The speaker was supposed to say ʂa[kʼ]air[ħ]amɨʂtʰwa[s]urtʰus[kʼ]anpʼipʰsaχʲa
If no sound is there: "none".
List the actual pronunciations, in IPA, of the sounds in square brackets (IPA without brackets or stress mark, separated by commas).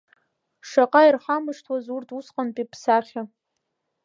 qʼ, ħ, z, qʼ